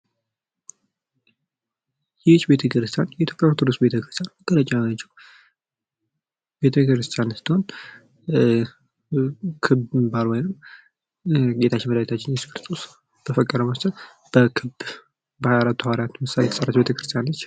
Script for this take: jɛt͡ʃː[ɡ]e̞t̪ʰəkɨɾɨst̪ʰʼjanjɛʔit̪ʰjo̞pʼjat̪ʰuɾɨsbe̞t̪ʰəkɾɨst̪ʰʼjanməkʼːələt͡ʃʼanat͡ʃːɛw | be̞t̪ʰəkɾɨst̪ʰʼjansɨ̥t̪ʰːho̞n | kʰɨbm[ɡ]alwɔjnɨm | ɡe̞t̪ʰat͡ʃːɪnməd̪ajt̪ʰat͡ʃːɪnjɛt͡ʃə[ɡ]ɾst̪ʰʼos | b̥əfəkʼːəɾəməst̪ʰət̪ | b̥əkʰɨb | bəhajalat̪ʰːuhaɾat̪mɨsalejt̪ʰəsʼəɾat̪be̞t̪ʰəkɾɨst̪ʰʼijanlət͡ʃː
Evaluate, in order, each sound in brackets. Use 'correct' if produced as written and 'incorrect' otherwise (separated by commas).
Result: incorrect, incorrect, incorrect